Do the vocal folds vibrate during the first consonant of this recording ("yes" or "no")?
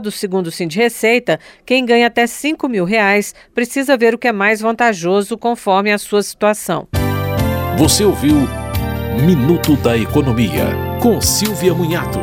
yes